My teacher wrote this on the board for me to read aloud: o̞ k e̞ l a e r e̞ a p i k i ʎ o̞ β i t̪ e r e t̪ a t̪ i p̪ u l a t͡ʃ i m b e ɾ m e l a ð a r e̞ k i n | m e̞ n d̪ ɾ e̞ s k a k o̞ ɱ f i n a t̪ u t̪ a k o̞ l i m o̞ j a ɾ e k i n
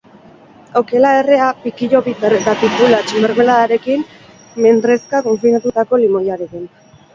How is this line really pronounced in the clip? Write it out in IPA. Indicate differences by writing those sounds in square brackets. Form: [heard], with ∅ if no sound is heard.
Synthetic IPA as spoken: o̞ k e̞ l a e r e̞ a p i k i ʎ o̞ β i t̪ e [ɾ] e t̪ a t̪ i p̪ u l a t͡ʃ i m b e ɾ m e l a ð a [ɾ] e̞ k i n | m e̞ n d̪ ɾ e̞ s k a k o̞ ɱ f i n a t̪ u t̪ a k o̞ l i m o̞ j a ɾ e k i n